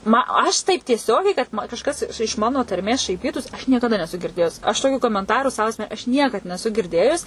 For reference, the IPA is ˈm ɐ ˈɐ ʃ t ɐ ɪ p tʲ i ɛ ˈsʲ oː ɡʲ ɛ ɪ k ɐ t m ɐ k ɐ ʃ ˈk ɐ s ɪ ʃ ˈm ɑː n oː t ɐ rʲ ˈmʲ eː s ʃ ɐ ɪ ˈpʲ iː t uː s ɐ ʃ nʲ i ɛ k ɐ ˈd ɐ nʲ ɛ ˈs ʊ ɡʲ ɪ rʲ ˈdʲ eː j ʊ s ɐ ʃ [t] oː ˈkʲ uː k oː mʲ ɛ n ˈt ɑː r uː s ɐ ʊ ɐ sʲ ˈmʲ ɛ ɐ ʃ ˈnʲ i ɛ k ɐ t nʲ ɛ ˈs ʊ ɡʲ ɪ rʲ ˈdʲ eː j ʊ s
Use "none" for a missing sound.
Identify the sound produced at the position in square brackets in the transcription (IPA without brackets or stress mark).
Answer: t